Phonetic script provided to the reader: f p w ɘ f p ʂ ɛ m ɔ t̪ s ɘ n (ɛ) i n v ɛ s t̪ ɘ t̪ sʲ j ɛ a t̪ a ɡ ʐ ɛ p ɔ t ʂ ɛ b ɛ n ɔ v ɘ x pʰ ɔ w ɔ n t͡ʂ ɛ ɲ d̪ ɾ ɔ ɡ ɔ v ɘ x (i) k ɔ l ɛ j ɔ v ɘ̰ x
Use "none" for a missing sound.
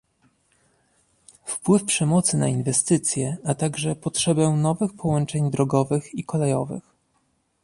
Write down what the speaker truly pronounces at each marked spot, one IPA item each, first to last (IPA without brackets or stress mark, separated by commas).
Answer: a, i